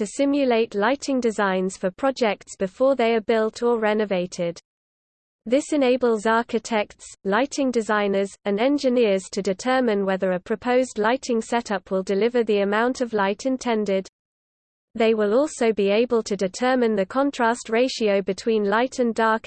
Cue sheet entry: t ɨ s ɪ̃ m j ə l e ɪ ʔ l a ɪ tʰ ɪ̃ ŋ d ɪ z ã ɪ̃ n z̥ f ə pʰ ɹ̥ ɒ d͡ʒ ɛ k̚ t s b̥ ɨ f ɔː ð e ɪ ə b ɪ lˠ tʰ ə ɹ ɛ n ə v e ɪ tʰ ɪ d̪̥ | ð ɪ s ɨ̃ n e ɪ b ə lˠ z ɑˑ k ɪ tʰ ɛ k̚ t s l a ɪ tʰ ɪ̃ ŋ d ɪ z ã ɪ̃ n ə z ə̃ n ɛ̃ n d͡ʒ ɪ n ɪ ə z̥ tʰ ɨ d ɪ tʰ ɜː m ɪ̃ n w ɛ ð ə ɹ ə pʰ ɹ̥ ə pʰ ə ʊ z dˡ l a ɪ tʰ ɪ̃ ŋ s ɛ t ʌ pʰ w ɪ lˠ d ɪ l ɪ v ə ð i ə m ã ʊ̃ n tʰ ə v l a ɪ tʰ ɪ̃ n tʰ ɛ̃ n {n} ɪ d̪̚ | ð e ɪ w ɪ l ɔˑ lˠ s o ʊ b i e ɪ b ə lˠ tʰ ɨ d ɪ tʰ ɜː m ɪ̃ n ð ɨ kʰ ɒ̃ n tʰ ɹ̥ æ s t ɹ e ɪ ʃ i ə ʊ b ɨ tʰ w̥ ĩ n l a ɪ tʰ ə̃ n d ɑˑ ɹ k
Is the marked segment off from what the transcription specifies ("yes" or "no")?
yes